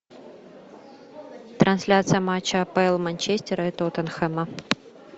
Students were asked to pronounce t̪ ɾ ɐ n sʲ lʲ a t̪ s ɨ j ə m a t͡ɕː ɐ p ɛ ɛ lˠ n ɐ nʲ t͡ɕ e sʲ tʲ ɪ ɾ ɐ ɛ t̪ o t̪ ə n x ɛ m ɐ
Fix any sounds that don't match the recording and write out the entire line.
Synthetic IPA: t̪ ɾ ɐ n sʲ lʲ a t̪ s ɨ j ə m a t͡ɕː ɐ p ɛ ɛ lˠ m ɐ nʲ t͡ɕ e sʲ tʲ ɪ ɾ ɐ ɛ t̪ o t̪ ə n x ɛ m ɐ